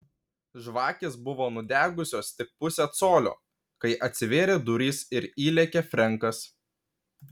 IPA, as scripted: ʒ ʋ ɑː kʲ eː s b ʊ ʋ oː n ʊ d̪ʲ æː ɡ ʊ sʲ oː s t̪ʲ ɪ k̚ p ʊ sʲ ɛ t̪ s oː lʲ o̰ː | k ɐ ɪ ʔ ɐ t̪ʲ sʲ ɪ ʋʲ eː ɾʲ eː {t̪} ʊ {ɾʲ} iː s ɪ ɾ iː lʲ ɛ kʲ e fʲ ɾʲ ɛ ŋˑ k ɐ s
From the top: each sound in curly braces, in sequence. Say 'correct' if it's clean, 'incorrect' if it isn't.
incorrect: d̪, correct

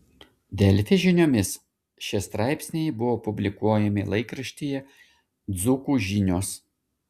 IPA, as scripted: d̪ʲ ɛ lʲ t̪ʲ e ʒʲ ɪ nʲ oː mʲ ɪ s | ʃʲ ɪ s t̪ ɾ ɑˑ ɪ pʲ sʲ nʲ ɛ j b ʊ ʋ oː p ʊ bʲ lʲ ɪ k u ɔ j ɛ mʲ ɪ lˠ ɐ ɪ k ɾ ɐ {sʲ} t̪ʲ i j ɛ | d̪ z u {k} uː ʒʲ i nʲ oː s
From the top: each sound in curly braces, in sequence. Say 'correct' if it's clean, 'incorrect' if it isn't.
incorrect: ʃʲ, correct

